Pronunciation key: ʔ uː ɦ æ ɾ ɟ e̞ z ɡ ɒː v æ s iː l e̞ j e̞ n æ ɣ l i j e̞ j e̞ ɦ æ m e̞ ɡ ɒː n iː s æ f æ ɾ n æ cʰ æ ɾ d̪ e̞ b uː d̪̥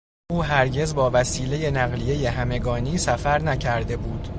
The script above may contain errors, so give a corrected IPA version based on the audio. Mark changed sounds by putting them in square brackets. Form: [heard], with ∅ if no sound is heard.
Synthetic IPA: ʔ uː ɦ æ ɾ ɟ e̞ z [b] ɒː v æ s iː l e̞ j e̞ n æ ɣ l i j e̞ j e̞ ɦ æ m e̞ ɡ ɒː n iː s æ f æ ɾ n æ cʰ æ ɾ d̪ e̞ b uː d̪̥

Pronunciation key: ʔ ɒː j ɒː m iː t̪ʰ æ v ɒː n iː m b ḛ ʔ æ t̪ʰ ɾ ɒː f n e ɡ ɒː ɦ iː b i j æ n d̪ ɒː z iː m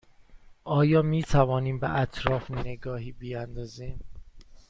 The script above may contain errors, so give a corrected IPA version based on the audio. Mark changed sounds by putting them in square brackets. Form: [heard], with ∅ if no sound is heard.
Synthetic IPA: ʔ ɒː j ɒː m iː t̪ʰ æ v ɒː n iː m b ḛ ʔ æ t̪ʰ ɾ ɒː f n e ɡ ɒː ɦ iː b i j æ n d̪ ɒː z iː m

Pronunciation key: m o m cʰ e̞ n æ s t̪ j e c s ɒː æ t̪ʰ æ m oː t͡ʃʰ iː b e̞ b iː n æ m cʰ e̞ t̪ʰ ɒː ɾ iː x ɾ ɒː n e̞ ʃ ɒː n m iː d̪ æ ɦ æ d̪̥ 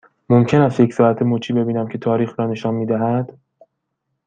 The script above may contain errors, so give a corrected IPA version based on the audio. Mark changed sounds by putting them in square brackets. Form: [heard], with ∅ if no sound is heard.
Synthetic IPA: m o m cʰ e̞ n æ s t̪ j e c s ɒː æ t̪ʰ [e] m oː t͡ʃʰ iː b e̞ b iː n æ m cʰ e̞ t̪ʰ ɒː ɾ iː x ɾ ɒː n e̞ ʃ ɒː n m iː d̪ æ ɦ æ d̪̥

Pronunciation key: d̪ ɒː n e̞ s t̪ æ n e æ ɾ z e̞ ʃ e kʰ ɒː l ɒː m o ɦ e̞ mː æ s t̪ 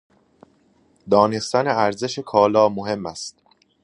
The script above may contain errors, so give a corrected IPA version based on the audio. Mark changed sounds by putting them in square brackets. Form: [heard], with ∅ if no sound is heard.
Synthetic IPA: d̪ ɒː n e̞ s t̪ æ n e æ ɾ z e̞ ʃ e kʰ ɒː l ɒː m o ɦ e̞ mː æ s t̪

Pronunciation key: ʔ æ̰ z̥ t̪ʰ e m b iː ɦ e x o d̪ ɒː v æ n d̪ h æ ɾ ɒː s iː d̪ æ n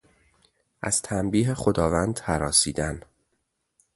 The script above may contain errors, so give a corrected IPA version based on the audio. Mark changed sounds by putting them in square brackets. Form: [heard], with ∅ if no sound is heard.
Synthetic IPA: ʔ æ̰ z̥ t̪ʰ [æ] m b iː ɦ e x o d̪ ɒː v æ n d̪ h æ ɾ ɒː s iː d̪ æ n

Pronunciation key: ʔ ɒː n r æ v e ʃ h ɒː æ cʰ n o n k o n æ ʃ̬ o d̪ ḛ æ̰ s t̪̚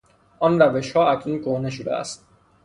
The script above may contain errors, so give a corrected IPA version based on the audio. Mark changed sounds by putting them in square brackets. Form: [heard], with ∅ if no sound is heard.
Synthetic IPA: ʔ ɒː n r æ v e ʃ h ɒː æ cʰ n [u] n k o n [e] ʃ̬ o d̪ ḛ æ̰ s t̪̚

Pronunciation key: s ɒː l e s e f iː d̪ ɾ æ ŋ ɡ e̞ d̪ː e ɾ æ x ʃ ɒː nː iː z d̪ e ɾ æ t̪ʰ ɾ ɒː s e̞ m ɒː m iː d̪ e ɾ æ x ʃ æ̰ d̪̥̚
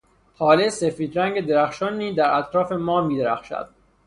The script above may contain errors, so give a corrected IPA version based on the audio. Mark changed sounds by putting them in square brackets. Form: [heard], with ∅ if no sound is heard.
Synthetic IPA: [h] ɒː l e s e f iː d̪ ɾ æ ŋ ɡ e̞ [d̪] e ɾ æ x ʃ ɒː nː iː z d̪ [æ] ɾ æ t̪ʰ ɾ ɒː [f] e̞ m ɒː m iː d̪ e ɾ æ x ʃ æ̰ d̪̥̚

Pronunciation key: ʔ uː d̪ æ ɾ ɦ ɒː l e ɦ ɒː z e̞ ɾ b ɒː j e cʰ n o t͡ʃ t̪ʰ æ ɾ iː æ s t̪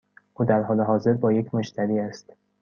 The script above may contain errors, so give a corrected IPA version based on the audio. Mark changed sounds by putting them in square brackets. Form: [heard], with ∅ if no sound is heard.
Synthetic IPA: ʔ uː d̪ æ ɾ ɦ ɒː l e ɦ ɒː z e̞ ɾ b ɒː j e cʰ [m] o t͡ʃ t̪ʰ æ ɾ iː æ s t̪

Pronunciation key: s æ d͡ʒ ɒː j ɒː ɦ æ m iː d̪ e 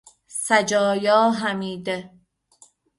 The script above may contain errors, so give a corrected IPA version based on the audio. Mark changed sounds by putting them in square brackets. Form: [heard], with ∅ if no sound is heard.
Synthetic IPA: s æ d͡ʒ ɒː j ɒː ɦ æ m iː d̪ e

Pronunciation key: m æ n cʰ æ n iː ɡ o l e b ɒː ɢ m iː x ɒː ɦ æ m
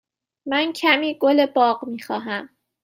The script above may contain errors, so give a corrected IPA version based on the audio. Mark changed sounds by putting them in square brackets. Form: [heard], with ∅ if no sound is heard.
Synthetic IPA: m æ n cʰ æ [m] iː ɡ o l e b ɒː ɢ m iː x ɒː ɦ æ m

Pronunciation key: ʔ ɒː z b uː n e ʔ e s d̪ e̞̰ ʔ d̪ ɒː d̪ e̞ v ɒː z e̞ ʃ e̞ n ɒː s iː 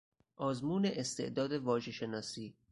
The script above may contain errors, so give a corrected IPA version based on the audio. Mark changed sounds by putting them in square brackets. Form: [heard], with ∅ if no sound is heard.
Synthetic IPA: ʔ ɒː z [m] uː n e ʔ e s [t̪] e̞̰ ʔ d̪ ɒː d̪ e̞ v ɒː [ʒ] e̞ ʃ e̞ n ɒː s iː

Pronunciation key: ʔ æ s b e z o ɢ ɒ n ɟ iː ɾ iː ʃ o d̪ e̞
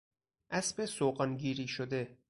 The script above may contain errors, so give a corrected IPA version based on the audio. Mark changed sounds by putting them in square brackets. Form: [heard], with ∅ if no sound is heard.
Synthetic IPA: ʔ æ s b e [s] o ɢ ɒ n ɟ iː ɾ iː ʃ o d̪ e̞

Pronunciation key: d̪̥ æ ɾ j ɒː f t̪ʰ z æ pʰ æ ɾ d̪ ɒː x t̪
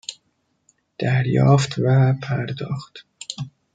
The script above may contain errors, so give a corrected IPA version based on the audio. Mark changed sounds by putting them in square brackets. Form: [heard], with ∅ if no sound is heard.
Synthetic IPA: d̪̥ æ ɾ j ɒː f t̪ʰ [v] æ pʰ æ ɾ d̪ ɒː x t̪

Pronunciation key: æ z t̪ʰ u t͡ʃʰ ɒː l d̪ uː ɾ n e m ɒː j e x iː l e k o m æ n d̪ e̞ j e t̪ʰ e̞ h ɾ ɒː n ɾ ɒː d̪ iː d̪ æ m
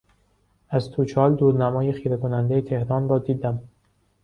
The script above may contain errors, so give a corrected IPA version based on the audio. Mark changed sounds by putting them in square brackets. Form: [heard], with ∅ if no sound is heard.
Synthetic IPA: æ z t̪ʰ u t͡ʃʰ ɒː l d̪ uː ɾ n [æ] m ɒː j e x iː [ɾ] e k o [n] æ n d̪ e̞ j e t̪ʰ e̞ h ɾ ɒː n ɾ ɒː d̪ iː d̪ æ m

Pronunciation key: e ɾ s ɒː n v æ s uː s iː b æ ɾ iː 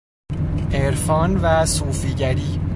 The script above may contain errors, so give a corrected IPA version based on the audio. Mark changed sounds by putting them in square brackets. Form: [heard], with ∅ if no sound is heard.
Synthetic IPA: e ɾ [f] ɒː n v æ s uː [f] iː [ɟ] æ ɾ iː

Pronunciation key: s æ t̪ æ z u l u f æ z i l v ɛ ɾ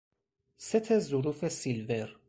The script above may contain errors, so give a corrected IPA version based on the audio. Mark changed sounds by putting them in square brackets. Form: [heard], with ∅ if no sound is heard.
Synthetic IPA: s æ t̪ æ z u [ɾ] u f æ [s] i l v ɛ ɾ

